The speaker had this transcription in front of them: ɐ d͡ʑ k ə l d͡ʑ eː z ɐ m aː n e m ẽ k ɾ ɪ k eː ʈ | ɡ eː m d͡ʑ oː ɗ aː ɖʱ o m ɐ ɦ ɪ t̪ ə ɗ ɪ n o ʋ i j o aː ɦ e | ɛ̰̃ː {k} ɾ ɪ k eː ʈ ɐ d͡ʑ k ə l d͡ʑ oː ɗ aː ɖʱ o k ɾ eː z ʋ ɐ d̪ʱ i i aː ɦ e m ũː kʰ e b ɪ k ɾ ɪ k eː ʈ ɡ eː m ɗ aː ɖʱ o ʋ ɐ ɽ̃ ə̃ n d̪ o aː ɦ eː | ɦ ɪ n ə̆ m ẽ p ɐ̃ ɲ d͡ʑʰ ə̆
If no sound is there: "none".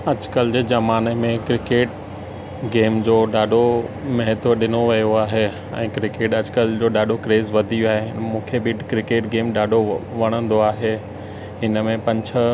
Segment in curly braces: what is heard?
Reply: k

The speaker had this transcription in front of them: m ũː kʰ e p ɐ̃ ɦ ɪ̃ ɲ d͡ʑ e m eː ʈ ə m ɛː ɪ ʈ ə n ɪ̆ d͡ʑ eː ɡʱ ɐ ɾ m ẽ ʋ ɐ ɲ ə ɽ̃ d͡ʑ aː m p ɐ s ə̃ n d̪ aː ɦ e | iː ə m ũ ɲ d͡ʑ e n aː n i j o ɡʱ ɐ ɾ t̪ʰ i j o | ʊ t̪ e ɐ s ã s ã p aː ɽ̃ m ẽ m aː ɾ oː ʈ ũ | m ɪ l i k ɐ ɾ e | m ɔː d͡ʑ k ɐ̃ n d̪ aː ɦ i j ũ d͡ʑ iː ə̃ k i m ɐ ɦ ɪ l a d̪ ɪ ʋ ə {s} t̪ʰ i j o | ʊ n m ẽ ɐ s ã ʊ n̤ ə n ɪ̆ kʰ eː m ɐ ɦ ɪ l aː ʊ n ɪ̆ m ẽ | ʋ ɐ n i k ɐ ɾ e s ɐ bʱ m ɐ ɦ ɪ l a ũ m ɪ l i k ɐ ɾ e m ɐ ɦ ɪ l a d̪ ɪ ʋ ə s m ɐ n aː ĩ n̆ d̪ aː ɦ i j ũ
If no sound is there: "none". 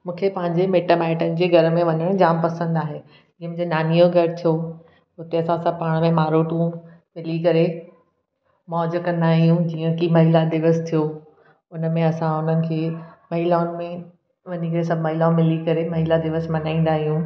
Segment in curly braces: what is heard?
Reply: s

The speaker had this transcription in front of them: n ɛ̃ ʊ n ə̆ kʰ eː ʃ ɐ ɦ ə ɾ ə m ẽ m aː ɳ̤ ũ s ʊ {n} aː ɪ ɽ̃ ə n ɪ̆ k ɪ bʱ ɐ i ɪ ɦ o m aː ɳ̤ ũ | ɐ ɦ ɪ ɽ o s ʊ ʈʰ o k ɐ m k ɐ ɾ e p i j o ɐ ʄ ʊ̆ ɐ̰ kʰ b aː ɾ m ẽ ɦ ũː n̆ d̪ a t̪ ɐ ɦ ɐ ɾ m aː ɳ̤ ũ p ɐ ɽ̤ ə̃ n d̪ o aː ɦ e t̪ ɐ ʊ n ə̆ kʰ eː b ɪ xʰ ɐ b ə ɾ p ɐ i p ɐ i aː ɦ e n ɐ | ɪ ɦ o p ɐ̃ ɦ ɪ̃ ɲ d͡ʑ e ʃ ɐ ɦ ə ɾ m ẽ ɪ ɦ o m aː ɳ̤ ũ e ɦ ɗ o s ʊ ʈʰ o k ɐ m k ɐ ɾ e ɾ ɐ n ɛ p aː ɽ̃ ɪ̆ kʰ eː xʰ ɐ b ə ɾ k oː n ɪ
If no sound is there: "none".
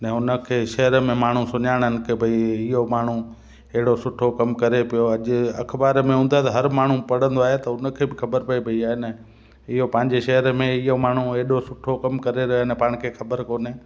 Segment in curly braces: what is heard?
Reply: ɲ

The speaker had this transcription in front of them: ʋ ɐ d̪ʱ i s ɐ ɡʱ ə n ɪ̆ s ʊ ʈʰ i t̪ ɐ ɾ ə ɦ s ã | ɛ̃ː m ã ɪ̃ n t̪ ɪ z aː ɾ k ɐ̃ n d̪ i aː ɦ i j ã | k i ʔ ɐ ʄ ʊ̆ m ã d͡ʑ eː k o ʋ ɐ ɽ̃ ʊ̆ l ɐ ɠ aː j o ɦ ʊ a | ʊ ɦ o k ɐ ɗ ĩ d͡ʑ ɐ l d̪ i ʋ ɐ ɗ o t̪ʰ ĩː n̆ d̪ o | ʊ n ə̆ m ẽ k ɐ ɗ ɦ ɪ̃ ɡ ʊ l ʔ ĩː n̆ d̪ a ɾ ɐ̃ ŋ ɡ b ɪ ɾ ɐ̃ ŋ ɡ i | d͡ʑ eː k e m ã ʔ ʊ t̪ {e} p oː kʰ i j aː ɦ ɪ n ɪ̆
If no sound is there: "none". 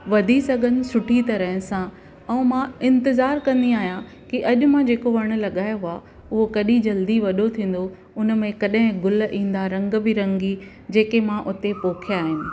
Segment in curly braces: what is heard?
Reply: e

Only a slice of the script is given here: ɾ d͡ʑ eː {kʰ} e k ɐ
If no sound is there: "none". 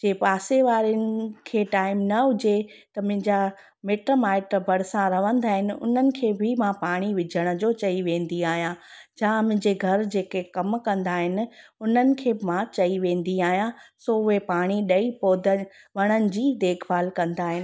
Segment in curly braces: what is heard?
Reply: k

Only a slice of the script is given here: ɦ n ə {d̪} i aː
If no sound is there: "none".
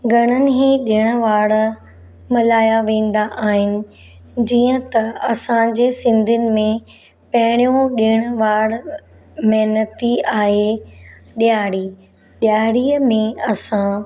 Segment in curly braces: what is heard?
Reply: t̪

